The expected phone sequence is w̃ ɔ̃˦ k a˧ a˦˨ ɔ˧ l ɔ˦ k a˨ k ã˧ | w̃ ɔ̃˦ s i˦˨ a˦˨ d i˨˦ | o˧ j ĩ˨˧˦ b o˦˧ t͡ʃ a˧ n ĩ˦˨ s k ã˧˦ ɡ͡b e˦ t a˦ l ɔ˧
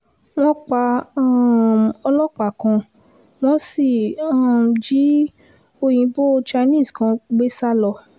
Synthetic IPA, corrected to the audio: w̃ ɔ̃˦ k͡p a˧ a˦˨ ɔ˧ l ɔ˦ k͡p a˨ k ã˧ | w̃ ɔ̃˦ s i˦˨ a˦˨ d͡ʒ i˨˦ | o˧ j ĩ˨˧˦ b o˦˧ t͡ʃ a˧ n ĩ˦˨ s k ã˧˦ ɡ͡b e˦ s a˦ l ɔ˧